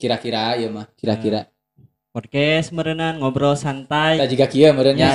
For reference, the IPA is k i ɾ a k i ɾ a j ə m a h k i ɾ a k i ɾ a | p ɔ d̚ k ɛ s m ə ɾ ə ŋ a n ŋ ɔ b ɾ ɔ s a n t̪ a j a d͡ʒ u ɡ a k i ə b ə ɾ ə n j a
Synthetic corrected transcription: k i ɾ a k i ɾ a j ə m a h k i ɾ a k i ɾ a | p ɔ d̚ k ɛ s m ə ɾ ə n a n ŋ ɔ b ɾ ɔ s a n t̪ a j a d͡ʒ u ɡ a k i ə m ə ɾ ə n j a